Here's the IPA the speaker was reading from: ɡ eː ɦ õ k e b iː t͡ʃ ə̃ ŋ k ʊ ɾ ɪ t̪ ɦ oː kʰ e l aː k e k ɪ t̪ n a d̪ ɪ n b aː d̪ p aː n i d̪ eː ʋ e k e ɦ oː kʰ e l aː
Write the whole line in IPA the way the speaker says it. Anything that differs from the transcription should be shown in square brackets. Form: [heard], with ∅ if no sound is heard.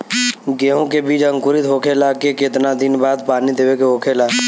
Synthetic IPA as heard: ɡ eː ɦ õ k e b iː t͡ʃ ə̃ ŋ k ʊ ɾ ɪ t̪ ɦ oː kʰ e l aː k e k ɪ t̪ n a d̪ ɪ n b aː d̪ p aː n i d̪ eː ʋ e k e ɦ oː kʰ e l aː